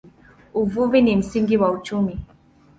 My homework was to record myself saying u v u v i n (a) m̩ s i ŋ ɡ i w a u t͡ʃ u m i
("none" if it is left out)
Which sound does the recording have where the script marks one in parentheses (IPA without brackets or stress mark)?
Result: i